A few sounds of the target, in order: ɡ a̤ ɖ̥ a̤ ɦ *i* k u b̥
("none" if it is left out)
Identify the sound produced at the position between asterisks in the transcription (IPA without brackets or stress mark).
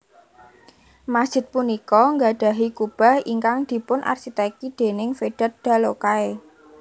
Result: i